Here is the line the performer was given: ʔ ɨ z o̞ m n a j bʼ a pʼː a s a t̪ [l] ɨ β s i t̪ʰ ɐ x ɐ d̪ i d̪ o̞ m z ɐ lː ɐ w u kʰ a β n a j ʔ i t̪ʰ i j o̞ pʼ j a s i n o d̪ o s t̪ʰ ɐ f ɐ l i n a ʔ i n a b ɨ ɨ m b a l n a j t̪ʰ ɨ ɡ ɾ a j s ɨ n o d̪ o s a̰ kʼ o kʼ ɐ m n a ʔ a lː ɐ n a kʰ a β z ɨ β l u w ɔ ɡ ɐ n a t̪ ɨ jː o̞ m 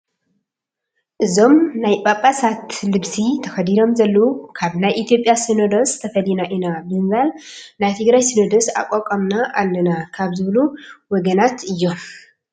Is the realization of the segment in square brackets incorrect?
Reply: no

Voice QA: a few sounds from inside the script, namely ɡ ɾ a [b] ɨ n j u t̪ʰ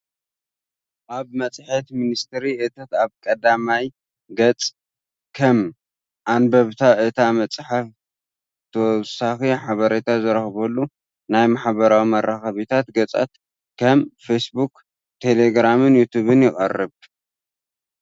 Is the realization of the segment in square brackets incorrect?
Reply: yes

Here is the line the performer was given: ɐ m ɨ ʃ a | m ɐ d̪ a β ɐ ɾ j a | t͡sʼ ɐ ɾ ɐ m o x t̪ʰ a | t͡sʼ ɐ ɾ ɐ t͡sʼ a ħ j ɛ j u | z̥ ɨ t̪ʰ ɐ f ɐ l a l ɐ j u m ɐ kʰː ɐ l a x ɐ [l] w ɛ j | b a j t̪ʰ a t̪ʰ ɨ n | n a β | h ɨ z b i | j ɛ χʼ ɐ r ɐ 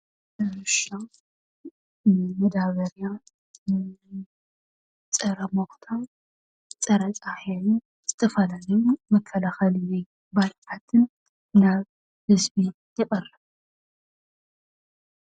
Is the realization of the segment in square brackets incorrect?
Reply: no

